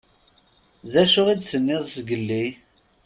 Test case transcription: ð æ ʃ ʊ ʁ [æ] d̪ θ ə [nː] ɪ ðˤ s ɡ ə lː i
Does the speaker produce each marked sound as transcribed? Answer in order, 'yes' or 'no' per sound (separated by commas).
no, yes